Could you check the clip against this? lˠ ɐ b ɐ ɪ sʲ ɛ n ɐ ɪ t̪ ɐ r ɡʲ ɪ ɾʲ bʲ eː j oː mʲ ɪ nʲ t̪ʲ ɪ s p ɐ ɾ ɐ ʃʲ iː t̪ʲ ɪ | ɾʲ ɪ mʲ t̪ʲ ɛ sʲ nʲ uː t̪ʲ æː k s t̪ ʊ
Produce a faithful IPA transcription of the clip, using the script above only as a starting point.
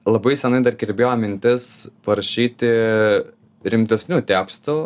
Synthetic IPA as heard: lˠ ɐ b ɐ ɪ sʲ ɛ n ɐ ɪ d̪ ɐ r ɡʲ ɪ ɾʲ bʲ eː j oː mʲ ɪ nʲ t̪ʲ ɪ s p ɐ ɾ ɐ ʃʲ iː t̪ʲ ɪ | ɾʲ ɪ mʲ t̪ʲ ɛ sʲ nʲ uː t̪ʲ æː k s t̪ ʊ